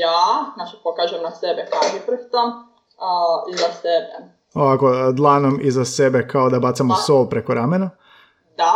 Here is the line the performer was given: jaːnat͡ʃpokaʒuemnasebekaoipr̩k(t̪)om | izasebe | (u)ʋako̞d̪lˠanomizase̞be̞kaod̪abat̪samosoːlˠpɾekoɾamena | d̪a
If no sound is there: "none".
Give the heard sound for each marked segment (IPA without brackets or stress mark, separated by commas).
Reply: t̪, o